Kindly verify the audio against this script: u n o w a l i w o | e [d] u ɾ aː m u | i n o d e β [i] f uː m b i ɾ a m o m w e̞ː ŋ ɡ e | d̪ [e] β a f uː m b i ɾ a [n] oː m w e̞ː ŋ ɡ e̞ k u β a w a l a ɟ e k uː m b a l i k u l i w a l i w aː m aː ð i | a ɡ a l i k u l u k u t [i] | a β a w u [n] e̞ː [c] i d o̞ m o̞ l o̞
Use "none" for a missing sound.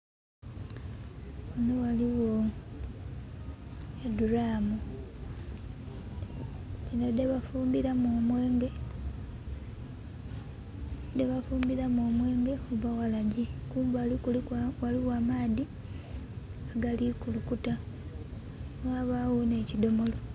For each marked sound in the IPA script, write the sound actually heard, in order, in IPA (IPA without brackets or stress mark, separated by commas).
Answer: d, a, e, m, a, n, c